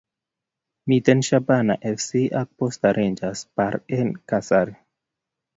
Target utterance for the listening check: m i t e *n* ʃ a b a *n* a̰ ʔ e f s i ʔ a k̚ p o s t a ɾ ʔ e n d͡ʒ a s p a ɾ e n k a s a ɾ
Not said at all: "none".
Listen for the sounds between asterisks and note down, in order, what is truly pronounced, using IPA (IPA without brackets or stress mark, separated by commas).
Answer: n, n